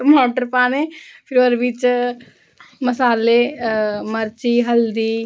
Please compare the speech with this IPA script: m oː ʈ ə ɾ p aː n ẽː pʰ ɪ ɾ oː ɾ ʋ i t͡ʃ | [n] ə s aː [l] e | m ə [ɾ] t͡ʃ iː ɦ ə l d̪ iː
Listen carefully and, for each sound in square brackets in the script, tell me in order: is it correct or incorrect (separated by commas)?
incorrect, correct, correct